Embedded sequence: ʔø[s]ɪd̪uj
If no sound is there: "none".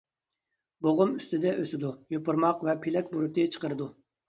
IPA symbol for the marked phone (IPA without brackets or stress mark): s